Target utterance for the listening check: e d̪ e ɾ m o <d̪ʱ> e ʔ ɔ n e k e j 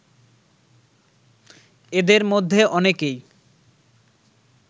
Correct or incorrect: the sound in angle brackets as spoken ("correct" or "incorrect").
incorrect